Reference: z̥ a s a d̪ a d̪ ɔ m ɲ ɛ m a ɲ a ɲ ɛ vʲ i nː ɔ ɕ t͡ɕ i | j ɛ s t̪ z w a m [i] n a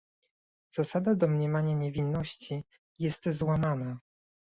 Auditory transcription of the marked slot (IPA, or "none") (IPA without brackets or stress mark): a